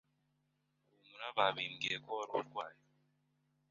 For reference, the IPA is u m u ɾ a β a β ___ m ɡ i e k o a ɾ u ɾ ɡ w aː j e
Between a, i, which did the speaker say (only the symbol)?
i